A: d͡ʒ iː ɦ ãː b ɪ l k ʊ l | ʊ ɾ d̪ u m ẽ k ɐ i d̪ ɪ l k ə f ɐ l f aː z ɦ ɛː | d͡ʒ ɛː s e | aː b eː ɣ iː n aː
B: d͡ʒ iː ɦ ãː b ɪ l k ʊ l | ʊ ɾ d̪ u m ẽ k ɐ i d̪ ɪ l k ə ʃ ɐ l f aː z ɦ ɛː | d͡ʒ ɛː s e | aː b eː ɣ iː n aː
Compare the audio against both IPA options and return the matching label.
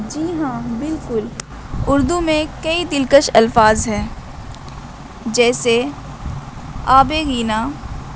B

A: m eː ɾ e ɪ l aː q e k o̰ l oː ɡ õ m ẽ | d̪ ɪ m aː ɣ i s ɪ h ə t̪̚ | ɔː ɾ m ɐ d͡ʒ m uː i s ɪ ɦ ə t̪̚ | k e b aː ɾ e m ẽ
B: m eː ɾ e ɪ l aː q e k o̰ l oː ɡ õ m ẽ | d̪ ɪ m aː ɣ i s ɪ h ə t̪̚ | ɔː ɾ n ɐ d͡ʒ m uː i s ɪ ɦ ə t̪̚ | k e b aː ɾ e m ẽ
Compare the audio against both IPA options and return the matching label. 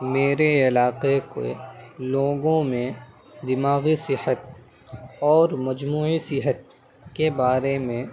A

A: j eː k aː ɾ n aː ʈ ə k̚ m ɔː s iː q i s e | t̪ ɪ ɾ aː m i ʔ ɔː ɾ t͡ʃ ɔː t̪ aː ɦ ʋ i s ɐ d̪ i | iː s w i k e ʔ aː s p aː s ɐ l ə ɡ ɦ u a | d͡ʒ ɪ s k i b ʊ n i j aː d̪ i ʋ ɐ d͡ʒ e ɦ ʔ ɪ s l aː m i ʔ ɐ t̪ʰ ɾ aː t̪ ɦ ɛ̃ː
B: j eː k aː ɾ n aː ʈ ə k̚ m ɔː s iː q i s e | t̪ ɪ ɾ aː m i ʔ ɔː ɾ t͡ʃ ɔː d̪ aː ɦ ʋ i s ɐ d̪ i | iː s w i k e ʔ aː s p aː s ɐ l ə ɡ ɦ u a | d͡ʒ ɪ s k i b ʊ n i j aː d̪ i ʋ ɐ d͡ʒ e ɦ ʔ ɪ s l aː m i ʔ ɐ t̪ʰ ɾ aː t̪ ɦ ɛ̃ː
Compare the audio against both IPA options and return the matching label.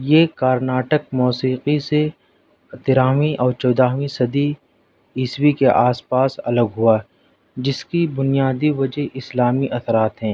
B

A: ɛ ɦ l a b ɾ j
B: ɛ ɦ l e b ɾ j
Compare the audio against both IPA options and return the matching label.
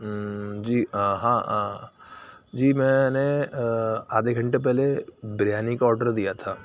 B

